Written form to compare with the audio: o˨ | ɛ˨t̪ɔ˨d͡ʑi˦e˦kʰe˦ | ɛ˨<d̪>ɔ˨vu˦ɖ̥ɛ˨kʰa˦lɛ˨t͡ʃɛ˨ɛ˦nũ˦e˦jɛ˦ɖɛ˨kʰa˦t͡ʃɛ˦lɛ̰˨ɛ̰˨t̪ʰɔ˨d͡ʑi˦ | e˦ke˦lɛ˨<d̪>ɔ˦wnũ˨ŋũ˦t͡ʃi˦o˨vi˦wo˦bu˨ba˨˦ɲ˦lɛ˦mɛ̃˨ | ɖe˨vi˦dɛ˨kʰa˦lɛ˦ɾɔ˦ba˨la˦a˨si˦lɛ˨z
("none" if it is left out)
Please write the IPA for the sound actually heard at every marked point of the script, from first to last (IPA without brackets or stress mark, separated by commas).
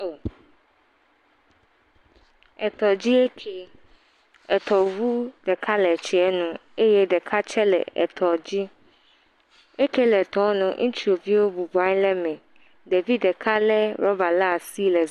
t̪, t̪